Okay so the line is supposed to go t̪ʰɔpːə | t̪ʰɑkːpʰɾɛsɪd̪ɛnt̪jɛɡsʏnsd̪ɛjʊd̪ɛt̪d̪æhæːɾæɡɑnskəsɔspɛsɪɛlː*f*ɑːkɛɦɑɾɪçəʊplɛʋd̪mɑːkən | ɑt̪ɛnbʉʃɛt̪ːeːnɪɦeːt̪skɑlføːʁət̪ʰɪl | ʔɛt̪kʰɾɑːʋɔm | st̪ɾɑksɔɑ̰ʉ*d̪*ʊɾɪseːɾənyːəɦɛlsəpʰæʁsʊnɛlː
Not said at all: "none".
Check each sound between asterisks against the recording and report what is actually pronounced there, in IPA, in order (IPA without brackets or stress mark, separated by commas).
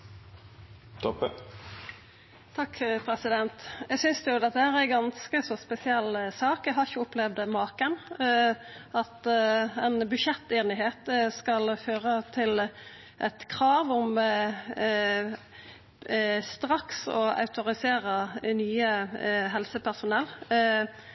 s, t̪